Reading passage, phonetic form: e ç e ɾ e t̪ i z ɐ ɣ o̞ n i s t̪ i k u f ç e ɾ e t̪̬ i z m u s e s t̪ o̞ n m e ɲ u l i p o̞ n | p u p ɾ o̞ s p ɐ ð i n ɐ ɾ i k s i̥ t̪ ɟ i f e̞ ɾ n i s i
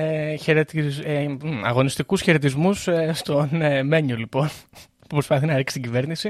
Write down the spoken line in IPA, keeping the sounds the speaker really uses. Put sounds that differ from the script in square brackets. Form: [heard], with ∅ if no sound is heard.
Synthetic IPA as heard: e ç e ɾ e t̪ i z ɐ ɣ o̞ n i s t̪ i k u [s] ç e ɾ e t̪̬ i z m u s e s t̪ o̞ n m e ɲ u l i p o̞ n | p u p ɾ o̞ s p ɐ [θ] i n ɐ ɾ i k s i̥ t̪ ɟ i [v] e̞ ɾ n i s i